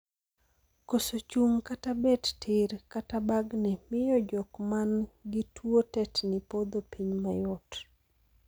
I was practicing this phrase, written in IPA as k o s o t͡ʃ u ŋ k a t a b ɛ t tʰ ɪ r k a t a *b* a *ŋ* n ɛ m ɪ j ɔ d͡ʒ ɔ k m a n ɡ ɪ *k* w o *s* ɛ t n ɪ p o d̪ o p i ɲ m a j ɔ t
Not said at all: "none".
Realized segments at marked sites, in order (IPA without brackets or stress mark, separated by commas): b, ɡ, t, t